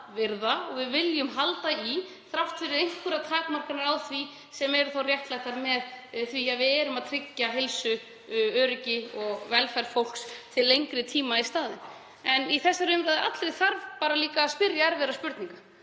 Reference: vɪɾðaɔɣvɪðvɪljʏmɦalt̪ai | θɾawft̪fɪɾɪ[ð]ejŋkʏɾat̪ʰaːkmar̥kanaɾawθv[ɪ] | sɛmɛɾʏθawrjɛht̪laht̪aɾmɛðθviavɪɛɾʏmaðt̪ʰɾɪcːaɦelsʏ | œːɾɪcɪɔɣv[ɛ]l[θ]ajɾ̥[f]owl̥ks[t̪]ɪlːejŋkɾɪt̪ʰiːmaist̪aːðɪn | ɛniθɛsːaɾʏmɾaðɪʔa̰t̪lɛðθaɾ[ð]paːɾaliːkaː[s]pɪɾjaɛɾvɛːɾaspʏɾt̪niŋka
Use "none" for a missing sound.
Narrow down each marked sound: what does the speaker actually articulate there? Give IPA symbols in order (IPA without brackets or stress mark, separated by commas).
ð, i, ɛ, f, f, t̪ʰ, v, s